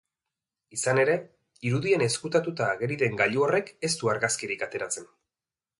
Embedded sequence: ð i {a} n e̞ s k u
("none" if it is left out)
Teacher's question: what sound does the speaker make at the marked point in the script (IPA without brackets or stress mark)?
e